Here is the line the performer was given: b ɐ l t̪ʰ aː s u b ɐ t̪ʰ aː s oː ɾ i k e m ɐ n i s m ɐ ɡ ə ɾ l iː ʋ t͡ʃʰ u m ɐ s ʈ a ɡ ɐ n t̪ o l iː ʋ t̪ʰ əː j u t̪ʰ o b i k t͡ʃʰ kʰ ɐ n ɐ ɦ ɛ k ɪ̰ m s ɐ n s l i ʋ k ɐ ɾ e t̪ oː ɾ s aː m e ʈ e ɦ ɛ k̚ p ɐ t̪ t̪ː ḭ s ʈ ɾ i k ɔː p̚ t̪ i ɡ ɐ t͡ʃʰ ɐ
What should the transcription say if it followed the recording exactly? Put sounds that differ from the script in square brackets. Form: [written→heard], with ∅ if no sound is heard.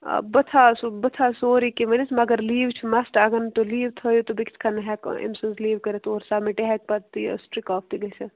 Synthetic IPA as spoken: b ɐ [l→∅] t̪ʰ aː s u b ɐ t̪ʰ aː s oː ɾ i k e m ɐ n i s m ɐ ɡ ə ɾ l iː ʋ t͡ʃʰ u m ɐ s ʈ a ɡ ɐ n t̪ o l iː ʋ t̪ʰ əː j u [t̪ʰ→t̪] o b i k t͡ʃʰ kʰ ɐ n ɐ ɦ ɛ k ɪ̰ m s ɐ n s l [i→iː] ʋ k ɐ ɾ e t̪ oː ɾ s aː m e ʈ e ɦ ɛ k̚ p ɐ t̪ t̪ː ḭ s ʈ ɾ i k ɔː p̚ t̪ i ɡ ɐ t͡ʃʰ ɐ

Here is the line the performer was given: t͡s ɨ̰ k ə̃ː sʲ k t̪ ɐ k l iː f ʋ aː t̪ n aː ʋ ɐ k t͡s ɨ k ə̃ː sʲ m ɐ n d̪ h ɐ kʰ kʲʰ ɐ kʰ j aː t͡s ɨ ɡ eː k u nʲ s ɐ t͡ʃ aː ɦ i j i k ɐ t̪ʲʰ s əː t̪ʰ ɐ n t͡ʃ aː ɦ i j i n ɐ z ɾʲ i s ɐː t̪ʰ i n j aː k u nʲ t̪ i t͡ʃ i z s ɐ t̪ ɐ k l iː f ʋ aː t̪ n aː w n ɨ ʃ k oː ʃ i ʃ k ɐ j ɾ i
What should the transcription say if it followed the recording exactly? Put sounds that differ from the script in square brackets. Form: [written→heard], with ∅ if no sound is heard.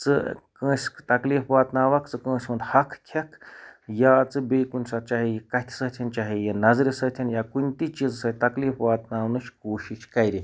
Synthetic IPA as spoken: t͡s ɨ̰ k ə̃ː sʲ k t̪ ɐ k l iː f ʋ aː t̪ n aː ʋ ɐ k t͡s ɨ k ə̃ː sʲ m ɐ n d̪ h ɐ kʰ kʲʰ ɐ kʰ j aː t͡s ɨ [ɡ→b] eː k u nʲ s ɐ t͡ʃ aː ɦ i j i k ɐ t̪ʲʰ s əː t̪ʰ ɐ n t͡ʃ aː ɦ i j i n ɐ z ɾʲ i s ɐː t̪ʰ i n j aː k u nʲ t̪ i t͡ʃ i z s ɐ t̪ ɐ k l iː f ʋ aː t̪ n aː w n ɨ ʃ k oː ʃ i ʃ k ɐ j ɾ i

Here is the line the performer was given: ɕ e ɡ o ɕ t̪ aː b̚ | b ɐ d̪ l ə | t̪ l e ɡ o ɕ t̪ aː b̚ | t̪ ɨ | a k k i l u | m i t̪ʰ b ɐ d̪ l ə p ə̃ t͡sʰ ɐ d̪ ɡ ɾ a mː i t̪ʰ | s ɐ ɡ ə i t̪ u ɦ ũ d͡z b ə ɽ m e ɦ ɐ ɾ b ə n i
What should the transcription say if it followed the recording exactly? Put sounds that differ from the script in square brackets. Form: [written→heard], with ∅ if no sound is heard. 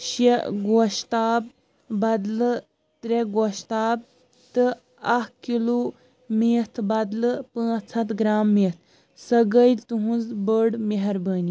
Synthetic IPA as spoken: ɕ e ɡ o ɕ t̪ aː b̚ | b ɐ d̪ l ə | t̪ [l→ɾ] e ɡ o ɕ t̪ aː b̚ | t̪ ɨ | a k k i l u | m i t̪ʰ b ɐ d̪ l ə p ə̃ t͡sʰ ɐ [d̪→t̪] ɡ ɾ a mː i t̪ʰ | s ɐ ɡ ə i t̪ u ɦ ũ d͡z b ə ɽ m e ɦ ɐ ɾ b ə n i

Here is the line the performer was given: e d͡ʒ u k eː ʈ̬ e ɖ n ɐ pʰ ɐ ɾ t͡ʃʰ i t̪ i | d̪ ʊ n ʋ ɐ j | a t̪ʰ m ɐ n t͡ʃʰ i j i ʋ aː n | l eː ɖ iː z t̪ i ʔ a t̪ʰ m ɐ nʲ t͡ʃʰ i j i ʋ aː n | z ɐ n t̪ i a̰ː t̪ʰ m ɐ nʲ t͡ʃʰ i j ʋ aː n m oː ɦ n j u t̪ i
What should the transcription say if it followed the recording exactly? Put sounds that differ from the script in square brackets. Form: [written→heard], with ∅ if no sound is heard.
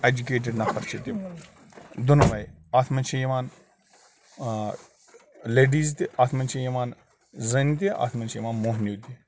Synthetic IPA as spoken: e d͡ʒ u k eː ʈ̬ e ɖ n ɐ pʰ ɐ ɾ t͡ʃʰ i t̪ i | d̪ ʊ n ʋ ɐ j | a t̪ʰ m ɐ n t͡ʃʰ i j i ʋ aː n | l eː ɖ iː z t̪ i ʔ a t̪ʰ m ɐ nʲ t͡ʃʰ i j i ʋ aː n | z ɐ n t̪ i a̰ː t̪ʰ m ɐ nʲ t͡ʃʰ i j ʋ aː n m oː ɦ n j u t̪ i

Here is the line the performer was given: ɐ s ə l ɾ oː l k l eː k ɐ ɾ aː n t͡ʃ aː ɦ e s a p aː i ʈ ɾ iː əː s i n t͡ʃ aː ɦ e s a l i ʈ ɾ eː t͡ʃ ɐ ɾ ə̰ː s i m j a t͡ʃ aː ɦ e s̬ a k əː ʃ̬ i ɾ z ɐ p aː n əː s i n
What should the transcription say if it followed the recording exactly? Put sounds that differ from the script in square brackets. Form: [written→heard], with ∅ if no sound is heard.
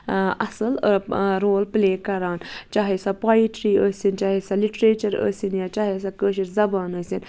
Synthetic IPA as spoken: ɐ s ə l ɾ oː l [k→p] l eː k ɐ ɾ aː n t͡ʃ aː ɦ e s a p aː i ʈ ɾ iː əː s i n t͡ʃ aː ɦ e s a l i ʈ ɾ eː t͡ʃ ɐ ɾ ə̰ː s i [m→n] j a t͡ʃ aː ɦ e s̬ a k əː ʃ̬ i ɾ z ɐ [p→b] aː n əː s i n

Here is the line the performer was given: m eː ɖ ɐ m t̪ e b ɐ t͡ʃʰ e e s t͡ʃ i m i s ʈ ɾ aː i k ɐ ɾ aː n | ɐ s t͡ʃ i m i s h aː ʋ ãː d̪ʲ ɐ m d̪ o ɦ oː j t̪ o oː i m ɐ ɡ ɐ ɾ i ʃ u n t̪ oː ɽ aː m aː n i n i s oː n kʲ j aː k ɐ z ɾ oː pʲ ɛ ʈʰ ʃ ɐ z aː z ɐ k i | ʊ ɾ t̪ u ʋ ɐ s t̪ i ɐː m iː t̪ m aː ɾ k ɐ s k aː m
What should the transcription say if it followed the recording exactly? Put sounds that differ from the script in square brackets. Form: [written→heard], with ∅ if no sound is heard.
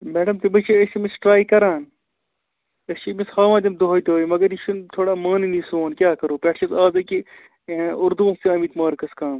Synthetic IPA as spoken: m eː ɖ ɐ m t̪ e b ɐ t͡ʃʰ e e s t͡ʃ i m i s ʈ ɾ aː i k ɐ ɾ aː n | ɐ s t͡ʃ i m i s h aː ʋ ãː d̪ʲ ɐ m d̪ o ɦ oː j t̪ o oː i m ɐ ɡ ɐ ɾ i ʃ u n [t̪→t̪ʰ] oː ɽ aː m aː n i n i s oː n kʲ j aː k ɐ [z→∅] ɾ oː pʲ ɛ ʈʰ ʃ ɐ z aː z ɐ k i | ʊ ɾ [t̪→d̪] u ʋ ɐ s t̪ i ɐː m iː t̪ m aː ɾ k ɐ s k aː m

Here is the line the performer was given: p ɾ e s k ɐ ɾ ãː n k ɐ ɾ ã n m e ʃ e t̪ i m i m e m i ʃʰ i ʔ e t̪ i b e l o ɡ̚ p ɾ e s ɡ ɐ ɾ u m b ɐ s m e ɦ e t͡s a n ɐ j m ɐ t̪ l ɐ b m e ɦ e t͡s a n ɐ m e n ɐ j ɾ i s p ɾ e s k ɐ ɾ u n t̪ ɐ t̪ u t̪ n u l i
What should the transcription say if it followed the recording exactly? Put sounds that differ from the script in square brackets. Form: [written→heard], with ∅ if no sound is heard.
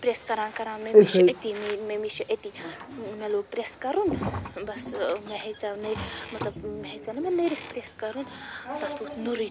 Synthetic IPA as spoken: p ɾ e s k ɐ ɾ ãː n k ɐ ɾ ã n m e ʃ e t̪ i m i m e m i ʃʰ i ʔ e t̪ i [b→m] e l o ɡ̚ p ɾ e s [ɡ→k] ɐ ɾ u [m→n] b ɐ s m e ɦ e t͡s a n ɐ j m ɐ t̪ l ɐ b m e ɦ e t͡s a n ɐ m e n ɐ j ɾ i s p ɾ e s k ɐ ɾ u n t̪ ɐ t̪ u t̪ n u [l→ɾ] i

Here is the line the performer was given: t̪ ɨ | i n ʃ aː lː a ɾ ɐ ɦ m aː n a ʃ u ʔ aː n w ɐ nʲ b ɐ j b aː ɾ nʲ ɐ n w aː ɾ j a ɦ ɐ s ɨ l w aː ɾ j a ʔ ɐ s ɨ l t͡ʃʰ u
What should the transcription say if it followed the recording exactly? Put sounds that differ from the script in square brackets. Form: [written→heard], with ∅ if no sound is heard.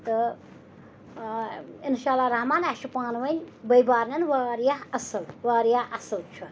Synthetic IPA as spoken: t̪ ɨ | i n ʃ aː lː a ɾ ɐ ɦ m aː n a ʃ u [ʔ→p] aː n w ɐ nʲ b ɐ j b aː ɾ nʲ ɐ n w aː ɾ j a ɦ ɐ s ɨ l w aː ɾ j a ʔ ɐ s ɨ l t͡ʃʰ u

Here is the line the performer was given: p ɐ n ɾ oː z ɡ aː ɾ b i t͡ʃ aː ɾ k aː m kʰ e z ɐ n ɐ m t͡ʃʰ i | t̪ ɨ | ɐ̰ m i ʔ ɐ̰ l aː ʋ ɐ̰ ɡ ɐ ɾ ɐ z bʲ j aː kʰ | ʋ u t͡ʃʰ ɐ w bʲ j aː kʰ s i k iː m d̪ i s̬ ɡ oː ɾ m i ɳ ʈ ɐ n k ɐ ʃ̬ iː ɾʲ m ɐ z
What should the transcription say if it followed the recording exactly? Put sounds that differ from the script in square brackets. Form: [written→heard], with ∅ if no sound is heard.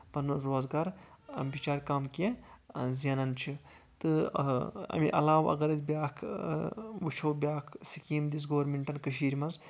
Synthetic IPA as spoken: p ɐ n ɾ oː z ɡ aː ɾ b i t͡ʃ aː ɾ k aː m [kʰ→k] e z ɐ n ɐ [m→n] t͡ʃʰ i | t̪ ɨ | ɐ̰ m i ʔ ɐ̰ l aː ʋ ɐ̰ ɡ ɐ ɾ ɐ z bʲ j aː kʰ | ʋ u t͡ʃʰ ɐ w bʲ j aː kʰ s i k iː m d̪ i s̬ ɡ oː ɾ m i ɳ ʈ ɐ n k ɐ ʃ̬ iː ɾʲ m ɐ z

